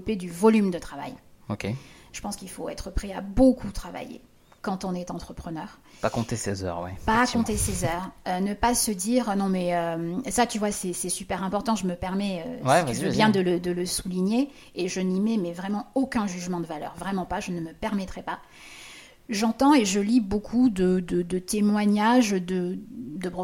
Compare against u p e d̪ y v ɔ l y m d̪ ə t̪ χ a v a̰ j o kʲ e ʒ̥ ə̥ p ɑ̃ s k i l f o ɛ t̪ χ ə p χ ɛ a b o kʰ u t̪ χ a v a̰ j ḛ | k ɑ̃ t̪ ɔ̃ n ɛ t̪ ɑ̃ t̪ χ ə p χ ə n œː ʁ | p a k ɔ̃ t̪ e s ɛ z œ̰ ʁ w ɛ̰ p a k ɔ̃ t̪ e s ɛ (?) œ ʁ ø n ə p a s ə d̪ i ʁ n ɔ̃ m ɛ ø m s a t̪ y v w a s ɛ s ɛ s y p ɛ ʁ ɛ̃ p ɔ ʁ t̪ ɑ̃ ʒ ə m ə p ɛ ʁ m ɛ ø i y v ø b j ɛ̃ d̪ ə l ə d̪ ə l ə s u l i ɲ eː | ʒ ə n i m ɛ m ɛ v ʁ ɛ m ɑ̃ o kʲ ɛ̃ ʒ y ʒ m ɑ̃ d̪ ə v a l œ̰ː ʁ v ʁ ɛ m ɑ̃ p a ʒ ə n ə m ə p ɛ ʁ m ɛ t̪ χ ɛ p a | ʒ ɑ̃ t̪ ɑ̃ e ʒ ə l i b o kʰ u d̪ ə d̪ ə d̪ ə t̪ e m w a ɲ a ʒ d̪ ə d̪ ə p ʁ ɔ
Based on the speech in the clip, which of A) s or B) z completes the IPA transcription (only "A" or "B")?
B